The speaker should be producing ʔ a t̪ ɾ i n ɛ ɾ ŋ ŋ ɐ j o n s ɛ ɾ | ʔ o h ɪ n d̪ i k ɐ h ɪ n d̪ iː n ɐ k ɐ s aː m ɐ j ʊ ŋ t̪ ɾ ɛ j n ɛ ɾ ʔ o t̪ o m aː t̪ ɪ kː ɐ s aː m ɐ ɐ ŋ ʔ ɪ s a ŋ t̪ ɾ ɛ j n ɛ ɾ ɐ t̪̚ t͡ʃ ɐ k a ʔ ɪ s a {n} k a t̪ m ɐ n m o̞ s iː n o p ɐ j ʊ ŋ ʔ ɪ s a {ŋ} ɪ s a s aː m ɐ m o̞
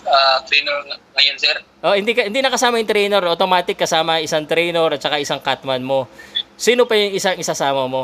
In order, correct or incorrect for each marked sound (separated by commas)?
incorrect, correct